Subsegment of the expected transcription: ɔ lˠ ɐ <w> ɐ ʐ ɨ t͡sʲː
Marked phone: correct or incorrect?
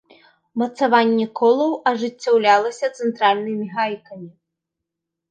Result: correct